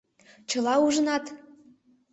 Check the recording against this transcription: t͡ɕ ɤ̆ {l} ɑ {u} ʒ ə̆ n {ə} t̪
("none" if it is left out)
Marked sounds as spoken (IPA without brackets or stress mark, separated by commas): l, u, ɑ